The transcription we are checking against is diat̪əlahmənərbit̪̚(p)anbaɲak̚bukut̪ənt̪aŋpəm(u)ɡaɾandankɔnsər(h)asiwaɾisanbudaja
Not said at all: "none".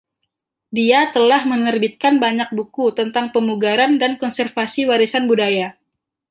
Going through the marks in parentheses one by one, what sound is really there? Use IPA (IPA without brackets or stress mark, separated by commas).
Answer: k, u, f